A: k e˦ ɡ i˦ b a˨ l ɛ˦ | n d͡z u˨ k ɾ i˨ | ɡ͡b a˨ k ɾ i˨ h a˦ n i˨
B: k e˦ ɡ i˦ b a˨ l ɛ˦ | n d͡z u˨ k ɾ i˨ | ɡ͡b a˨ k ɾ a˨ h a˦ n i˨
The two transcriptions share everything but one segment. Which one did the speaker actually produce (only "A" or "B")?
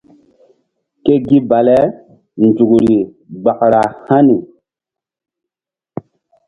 B